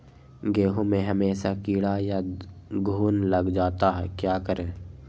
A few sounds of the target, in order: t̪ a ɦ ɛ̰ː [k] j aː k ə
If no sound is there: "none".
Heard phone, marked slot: k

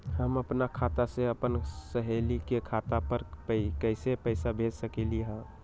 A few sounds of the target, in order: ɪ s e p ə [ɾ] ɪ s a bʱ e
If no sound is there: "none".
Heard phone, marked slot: none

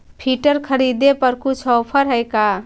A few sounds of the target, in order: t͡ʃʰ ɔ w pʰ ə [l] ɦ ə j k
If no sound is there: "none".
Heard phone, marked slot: ɾ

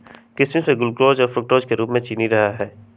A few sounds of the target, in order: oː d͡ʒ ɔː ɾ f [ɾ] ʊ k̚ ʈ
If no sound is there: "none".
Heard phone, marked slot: ɾ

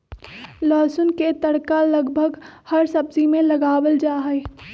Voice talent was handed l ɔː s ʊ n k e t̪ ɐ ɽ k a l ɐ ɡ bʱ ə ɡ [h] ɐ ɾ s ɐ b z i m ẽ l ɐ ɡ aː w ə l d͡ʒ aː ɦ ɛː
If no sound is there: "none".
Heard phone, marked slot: h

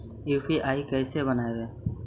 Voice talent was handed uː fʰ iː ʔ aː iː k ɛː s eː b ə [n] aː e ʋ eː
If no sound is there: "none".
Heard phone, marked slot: n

